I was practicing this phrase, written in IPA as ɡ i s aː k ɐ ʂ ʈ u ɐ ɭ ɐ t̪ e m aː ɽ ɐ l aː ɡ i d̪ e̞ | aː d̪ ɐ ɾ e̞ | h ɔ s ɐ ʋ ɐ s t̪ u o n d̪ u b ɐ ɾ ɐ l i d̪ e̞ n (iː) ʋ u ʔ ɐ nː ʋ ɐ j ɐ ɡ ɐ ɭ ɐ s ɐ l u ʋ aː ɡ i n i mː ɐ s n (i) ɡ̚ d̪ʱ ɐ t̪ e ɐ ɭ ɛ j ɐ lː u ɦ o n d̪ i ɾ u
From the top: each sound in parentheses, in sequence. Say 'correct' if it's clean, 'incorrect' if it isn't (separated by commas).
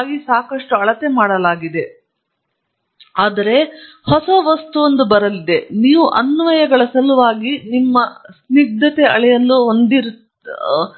correct, correct